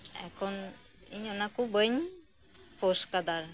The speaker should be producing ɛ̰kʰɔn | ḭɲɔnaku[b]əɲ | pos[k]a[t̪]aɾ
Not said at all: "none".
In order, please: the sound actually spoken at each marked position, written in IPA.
b, k, d̪

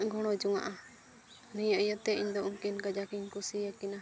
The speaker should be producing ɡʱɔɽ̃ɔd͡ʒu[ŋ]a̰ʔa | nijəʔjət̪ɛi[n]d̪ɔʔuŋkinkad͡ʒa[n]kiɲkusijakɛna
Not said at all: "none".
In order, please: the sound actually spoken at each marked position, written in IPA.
ŋ, ɲ, none

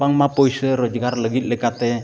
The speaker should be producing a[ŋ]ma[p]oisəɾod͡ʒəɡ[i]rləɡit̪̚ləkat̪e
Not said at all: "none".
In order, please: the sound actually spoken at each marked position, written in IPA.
ŋ, p, a

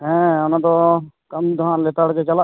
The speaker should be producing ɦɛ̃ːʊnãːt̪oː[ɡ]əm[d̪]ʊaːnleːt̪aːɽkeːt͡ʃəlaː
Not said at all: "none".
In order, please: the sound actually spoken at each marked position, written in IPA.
k, d̪

